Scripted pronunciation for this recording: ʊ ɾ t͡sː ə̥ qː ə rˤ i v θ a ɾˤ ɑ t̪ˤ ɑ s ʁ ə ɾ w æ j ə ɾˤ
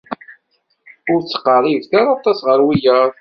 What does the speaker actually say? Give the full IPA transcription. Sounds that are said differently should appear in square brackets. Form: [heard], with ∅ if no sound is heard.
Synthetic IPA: ʊ ɾ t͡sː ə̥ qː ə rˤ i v θ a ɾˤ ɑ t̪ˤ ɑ s ʁ ə ɾ w [i] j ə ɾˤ